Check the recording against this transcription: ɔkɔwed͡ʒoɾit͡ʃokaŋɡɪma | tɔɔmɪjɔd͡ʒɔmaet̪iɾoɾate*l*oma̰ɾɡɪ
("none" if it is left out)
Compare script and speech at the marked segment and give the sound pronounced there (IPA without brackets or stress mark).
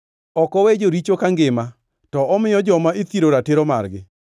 ɾ